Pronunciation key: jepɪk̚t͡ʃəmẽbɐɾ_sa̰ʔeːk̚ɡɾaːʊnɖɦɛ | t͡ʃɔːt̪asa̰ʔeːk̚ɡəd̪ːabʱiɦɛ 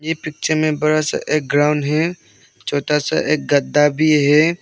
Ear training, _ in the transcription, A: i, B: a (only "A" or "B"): B